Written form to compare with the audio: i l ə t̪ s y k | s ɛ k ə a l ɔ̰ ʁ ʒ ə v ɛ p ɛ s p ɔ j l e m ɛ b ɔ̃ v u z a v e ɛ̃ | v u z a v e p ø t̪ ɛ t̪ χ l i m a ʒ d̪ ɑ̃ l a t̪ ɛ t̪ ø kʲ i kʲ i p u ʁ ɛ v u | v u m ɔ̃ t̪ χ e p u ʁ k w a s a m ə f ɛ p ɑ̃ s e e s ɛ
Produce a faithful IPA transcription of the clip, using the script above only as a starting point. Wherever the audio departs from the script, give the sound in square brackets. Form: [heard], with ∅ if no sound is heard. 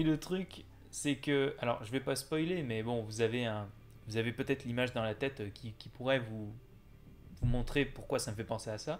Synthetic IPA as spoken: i l ə t̪ [χ] y k | s ɛ k ə a l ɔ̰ ʁ ʒ ə v ɛ p [a] s p ɔ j l e m ɛ b ɔ̃ v u z a v e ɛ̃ | v u z a v e p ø t̪ ɛ t̪ χ l i m a ʒ d̪ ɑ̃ l a t̪ ɛ t̪ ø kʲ i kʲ i p u ʁ ɛ v u | v u m ɔ̃ t̪ χ e p u ʁ k w a s a m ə f ɛ p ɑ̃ s e [a] s [a]